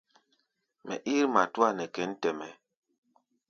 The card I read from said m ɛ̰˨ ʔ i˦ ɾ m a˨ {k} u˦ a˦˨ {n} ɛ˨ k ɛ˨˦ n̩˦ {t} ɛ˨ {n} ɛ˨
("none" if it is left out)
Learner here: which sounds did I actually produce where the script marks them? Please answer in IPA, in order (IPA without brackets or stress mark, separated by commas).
t, n, t, m